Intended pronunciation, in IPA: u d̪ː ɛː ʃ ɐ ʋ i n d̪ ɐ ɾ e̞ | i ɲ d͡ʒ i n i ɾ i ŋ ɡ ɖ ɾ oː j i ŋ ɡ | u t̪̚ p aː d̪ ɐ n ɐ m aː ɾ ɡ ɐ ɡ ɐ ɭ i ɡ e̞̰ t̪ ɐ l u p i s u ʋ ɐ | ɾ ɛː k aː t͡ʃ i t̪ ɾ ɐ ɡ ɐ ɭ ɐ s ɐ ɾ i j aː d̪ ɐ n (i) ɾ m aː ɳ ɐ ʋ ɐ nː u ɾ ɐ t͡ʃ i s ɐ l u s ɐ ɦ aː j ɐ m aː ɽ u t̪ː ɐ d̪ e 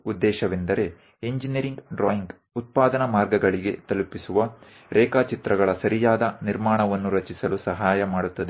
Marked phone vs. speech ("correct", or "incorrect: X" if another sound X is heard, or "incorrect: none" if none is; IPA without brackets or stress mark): correct